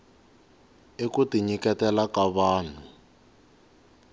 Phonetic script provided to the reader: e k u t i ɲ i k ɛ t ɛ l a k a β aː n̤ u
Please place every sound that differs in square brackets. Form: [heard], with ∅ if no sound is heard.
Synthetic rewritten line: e k u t i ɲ i k ɛ t ɛ l a k a β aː n̤ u